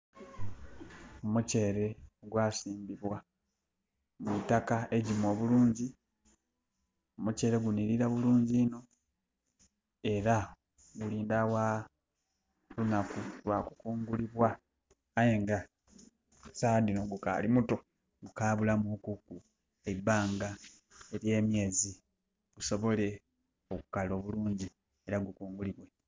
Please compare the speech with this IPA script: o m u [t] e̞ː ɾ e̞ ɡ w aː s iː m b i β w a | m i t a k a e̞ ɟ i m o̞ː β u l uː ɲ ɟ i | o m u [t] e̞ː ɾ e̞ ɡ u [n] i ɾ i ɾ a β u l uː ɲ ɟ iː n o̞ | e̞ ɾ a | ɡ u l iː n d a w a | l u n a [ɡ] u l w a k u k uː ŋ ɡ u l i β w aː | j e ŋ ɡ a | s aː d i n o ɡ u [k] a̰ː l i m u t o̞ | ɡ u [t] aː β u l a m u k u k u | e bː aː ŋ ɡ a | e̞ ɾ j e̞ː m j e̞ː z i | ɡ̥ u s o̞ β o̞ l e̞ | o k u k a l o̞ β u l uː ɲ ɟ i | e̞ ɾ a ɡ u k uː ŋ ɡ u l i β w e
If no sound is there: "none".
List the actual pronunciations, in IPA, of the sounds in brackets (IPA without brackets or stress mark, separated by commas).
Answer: c, c, n, k, k, k